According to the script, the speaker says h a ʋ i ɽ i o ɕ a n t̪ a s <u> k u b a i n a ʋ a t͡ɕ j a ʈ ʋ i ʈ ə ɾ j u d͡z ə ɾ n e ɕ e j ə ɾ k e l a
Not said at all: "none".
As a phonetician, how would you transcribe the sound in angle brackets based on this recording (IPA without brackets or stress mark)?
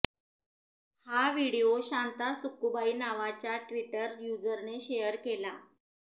u